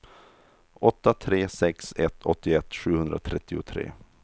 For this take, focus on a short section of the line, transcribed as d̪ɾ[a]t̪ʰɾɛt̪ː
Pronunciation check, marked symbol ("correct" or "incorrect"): correct